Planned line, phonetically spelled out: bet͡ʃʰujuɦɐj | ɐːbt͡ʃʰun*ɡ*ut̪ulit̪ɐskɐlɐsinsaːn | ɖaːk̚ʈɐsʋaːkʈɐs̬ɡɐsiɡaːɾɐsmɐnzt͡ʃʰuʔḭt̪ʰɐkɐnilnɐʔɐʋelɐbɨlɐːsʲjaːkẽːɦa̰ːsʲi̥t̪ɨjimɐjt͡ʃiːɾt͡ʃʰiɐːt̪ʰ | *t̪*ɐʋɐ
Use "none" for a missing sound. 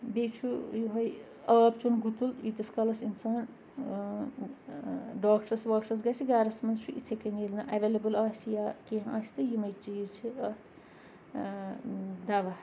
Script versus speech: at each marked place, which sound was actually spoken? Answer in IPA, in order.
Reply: ɡ, d̪

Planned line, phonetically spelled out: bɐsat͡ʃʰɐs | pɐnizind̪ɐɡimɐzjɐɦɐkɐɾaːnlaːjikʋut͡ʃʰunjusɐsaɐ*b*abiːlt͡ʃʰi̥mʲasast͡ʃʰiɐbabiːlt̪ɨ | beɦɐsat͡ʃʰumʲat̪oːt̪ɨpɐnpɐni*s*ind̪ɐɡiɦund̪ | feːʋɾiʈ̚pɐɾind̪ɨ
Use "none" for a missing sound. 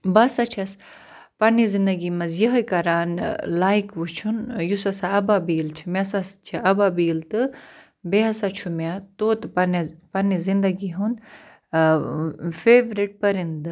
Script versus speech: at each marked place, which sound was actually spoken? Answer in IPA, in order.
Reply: b, z

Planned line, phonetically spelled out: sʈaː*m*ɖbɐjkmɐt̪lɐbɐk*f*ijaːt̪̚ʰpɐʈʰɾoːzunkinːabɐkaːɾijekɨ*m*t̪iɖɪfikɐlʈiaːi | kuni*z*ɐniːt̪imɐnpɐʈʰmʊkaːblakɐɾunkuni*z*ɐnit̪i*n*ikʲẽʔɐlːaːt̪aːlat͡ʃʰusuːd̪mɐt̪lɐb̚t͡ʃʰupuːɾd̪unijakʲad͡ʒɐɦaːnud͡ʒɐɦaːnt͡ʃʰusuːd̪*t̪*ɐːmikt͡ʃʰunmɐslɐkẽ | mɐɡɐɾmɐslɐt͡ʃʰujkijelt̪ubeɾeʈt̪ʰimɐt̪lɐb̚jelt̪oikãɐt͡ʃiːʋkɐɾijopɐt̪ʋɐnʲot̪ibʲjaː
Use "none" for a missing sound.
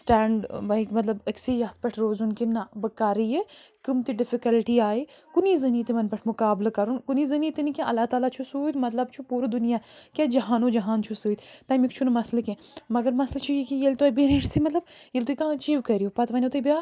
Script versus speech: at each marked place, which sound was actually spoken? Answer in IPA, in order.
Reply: ɳ, s, m, z, z, n, t̪

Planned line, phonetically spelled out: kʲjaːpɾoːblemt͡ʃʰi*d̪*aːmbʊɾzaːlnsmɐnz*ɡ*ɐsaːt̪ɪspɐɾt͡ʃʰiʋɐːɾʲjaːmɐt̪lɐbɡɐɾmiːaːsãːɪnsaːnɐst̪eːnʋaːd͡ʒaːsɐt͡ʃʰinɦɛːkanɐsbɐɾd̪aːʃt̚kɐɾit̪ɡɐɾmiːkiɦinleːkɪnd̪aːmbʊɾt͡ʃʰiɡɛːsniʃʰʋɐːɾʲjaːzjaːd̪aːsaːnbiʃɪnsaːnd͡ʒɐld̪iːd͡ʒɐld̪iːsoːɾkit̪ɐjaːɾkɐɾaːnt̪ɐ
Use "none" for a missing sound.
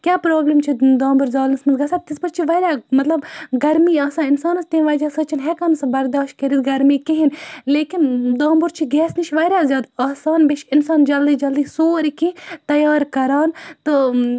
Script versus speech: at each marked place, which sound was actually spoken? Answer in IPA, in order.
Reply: d̪, ɡ

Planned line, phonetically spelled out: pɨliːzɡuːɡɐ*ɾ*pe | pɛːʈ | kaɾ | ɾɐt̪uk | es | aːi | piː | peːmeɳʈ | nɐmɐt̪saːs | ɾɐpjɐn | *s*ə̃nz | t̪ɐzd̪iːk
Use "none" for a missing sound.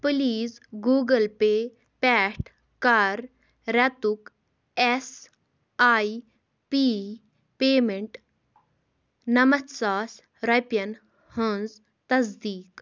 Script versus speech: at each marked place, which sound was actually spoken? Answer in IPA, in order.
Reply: l, h

